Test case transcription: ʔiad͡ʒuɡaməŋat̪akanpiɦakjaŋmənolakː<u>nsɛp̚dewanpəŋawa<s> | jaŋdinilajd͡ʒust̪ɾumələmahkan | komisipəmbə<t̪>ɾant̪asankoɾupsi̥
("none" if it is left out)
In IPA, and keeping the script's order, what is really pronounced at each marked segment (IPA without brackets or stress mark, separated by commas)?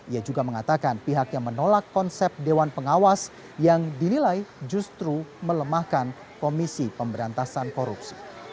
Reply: ɔ, s, none